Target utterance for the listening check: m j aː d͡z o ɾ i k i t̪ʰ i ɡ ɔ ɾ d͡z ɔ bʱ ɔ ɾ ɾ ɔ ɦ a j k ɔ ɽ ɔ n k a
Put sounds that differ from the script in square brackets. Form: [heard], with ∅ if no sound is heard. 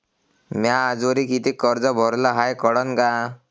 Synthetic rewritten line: m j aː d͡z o ɾ i k i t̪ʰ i [k] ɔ ɾ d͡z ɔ bʱ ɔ ɾ [l] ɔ ɦ a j k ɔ ɽ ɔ n k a